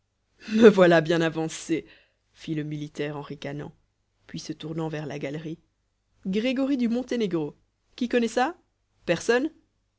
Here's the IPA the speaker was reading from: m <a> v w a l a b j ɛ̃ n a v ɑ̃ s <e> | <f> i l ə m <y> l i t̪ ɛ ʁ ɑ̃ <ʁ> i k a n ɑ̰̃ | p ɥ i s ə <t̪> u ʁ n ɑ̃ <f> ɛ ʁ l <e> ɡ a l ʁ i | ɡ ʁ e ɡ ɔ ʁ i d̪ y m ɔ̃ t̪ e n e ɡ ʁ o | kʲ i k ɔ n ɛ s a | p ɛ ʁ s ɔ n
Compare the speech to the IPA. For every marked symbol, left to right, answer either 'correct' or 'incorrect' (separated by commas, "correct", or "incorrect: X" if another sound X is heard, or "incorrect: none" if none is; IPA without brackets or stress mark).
incorrect: ə, correct, correct, incorrect: i, correct, correct, incorrect: v, incorrect: a